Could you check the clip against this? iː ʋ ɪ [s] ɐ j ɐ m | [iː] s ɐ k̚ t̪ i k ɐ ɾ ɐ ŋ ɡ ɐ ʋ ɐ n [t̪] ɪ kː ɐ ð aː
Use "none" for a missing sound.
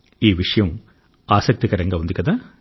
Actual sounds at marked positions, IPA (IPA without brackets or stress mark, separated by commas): ʂ, aː, d̪